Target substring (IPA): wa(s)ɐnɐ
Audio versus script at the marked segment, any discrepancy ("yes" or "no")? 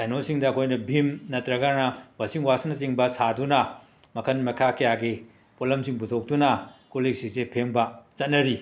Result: no